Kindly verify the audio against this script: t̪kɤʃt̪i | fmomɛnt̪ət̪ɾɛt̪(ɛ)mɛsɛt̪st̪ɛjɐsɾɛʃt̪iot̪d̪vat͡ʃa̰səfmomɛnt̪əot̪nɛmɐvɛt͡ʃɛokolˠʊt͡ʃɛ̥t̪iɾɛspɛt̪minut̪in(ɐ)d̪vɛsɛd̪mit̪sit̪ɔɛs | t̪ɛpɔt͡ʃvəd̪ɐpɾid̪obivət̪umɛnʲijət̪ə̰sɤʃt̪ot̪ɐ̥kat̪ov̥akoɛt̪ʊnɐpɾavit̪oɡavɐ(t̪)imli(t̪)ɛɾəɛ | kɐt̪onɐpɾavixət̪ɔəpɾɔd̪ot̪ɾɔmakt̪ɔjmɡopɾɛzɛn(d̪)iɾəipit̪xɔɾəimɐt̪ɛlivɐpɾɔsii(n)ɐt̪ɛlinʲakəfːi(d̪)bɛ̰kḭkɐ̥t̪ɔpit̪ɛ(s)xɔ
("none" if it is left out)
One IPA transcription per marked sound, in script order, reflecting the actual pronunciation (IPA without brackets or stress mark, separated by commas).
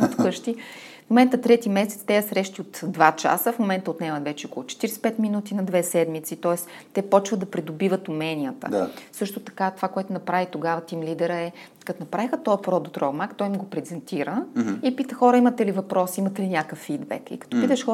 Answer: i, ɐ, t̪, d̪, t̪, m, d̪, ʃ